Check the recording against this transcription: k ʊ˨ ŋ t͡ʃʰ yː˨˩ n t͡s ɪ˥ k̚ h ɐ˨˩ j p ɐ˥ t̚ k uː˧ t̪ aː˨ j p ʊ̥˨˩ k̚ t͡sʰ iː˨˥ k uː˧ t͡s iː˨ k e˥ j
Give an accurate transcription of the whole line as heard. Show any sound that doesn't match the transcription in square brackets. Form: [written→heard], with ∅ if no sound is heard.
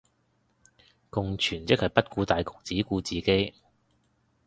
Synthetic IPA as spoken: k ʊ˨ ŋ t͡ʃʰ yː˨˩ n t͡s ɪ˥ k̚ h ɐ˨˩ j p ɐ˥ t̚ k uː˧ t̪ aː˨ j [p→k] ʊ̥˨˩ k̚ [t͡sʰ→t͡s] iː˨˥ k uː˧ t͡s iː˨ k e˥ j